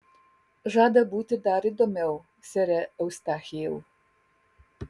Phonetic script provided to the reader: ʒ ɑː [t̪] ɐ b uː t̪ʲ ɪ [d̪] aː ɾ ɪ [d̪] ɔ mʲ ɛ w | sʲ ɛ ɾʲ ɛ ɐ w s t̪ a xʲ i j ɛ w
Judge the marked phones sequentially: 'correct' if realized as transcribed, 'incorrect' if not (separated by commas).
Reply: incorrect, correct, correct